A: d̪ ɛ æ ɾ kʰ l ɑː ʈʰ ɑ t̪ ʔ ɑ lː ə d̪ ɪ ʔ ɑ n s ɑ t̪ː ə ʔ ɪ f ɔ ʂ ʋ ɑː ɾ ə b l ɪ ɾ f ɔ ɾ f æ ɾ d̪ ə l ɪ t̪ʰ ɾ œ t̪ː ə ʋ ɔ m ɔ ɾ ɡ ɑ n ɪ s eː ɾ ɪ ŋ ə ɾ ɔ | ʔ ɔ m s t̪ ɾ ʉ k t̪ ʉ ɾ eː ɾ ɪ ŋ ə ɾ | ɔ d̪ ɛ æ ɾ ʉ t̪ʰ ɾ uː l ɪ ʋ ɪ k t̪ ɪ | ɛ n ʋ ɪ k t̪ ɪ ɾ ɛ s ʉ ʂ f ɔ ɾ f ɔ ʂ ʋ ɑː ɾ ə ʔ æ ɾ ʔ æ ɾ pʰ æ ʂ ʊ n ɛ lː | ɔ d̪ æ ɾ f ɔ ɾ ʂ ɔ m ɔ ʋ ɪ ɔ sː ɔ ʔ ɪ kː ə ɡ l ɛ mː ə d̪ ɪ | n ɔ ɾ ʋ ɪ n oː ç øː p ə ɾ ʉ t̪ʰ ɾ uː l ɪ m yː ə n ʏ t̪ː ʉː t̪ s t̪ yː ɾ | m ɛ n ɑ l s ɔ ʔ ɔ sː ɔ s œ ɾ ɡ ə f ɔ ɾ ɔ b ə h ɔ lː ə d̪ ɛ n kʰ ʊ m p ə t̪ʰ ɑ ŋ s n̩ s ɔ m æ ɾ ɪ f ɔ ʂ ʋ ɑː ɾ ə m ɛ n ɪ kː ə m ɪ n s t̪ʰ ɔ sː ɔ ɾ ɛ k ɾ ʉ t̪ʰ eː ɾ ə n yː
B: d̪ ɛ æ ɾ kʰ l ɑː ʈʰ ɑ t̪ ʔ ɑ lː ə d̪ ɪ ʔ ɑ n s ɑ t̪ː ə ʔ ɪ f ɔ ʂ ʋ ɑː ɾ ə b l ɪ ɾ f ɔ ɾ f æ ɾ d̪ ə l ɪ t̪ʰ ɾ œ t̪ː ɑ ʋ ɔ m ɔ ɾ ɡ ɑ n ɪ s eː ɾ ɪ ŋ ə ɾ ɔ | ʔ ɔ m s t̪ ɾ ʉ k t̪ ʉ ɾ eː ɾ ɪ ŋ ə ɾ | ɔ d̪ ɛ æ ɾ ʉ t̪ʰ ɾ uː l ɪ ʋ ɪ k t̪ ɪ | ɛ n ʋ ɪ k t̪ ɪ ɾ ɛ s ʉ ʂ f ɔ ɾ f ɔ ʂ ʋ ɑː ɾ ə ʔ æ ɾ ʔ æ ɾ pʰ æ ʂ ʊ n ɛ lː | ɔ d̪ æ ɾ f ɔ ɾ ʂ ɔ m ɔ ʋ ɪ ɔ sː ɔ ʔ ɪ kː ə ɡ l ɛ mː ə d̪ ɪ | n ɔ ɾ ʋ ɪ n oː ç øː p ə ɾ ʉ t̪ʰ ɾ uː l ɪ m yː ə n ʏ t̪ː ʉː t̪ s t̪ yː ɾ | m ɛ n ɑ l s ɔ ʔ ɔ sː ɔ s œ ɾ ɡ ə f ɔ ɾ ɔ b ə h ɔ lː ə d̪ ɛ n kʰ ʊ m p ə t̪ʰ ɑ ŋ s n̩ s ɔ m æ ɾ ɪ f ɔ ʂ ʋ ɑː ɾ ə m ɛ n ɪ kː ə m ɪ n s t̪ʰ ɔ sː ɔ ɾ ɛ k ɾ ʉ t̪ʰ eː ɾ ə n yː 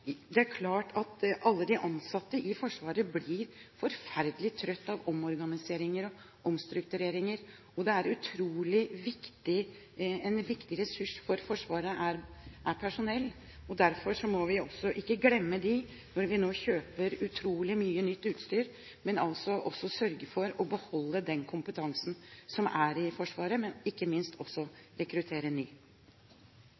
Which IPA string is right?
B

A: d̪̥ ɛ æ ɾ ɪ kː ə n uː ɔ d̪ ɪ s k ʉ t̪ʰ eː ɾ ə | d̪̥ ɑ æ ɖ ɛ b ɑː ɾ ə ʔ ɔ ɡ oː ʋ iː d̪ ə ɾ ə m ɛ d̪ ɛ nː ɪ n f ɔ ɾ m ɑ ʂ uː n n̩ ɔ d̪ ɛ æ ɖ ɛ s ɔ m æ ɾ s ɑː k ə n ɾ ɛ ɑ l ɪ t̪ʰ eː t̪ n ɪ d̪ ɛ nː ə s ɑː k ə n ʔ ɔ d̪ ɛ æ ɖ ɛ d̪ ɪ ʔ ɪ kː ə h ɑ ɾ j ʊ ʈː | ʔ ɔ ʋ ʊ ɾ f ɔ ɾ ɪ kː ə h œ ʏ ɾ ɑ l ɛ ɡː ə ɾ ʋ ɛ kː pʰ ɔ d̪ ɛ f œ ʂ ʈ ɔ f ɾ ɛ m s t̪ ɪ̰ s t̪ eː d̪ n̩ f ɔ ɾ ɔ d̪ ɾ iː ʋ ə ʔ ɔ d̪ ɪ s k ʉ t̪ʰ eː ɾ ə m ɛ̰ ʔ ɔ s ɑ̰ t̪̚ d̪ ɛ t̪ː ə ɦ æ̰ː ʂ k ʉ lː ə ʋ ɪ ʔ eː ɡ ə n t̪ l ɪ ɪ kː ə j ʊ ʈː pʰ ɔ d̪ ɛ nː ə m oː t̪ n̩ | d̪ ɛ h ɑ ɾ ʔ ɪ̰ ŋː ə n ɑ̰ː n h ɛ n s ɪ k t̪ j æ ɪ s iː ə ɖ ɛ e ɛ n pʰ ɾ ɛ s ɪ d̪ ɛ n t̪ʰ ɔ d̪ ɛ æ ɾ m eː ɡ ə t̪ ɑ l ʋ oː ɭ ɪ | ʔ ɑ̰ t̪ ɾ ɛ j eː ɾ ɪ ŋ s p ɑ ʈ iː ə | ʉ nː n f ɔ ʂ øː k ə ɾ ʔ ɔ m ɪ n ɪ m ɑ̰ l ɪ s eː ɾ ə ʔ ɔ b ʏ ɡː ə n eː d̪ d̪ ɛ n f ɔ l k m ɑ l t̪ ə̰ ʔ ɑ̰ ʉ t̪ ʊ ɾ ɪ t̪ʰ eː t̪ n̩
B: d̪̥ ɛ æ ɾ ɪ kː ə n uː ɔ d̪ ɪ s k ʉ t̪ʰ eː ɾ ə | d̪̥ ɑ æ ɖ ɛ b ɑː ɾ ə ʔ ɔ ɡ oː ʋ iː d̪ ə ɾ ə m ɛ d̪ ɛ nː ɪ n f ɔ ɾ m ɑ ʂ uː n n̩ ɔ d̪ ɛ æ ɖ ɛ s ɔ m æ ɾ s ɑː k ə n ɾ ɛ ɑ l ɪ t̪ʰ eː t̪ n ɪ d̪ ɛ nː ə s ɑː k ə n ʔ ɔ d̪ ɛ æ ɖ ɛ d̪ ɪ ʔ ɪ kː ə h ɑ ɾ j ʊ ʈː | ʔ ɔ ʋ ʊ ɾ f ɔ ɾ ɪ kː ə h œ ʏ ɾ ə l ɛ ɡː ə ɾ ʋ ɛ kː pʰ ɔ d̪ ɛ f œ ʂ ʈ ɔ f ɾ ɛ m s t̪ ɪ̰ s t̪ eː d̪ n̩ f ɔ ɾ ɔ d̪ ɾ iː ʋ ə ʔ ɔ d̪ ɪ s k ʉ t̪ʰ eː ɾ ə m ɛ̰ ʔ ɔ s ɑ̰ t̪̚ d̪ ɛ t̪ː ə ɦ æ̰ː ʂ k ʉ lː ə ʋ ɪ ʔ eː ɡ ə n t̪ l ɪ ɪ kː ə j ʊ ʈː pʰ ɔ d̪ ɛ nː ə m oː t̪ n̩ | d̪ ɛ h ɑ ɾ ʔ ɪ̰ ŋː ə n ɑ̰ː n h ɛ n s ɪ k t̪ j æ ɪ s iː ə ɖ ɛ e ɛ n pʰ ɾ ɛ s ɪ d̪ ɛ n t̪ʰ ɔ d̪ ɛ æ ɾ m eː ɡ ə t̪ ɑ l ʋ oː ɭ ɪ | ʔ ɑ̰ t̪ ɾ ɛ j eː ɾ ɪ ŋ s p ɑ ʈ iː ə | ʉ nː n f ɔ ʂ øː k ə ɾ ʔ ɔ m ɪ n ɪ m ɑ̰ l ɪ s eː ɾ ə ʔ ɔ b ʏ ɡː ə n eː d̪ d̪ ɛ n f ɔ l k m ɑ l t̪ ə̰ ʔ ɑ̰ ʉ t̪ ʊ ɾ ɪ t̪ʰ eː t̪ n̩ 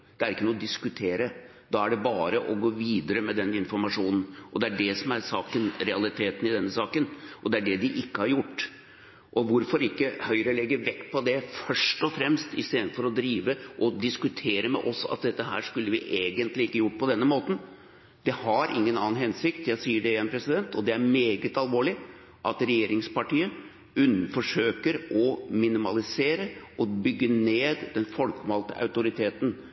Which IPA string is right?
B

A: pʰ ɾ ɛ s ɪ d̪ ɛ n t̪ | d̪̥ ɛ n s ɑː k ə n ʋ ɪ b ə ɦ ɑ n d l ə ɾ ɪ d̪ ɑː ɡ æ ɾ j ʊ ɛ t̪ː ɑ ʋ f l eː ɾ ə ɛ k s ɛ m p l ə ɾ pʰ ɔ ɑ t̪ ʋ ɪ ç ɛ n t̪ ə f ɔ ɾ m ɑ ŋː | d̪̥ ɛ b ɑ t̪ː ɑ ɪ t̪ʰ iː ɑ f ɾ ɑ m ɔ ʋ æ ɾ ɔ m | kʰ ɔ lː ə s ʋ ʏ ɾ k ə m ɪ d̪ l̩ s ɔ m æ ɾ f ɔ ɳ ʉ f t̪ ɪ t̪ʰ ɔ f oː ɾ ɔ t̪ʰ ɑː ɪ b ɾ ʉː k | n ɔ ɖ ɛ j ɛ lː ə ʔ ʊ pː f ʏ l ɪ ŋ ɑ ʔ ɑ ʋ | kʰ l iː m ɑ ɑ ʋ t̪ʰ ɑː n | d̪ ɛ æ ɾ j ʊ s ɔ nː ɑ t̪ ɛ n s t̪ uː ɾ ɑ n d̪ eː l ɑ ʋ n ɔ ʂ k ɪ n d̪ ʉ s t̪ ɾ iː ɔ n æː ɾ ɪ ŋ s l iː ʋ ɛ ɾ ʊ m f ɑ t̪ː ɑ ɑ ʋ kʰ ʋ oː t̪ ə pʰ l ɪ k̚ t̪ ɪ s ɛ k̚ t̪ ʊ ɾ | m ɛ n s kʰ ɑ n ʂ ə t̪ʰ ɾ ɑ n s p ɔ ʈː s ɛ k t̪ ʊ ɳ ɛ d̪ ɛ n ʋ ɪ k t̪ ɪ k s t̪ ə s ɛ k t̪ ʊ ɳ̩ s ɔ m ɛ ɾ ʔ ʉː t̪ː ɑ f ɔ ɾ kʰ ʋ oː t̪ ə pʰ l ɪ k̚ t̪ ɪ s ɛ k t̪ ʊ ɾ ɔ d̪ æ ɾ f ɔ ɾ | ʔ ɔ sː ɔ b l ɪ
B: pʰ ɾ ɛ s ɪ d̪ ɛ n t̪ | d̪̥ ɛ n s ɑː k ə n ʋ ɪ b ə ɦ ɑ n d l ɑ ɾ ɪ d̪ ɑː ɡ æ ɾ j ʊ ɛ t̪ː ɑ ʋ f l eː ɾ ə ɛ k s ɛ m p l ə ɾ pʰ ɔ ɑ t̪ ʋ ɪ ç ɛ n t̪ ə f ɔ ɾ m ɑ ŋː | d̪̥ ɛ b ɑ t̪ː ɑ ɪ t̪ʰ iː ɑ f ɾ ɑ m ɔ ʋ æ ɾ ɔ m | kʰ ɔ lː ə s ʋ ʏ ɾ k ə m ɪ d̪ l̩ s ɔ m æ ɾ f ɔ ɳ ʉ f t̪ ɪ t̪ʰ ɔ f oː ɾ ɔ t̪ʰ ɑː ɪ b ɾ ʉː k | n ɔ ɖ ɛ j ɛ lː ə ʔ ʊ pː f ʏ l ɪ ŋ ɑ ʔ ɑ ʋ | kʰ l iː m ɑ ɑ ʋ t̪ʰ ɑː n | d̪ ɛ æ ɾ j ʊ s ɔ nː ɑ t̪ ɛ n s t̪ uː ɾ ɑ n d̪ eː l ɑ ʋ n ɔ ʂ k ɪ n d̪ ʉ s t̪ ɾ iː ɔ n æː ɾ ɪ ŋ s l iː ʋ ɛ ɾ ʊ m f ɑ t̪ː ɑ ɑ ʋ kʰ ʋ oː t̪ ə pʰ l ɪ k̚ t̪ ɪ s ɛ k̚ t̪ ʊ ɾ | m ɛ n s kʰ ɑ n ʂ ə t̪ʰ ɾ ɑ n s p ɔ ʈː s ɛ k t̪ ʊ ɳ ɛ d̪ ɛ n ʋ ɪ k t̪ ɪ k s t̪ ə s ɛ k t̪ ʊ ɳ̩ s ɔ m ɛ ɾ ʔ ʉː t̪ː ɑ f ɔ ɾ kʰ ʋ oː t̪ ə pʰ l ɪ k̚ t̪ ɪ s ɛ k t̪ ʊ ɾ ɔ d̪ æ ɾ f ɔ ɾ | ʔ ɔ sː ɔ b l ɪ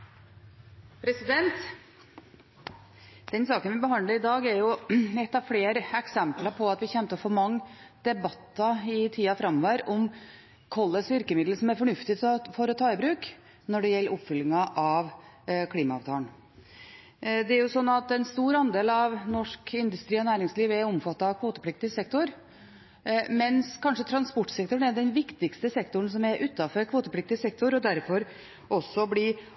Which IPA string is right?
A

